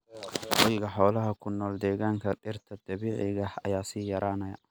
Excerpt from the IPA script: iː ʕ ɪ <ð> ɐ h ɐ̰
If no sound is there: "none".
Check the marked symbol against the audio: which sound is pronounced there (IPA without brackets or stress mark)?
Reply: ɣ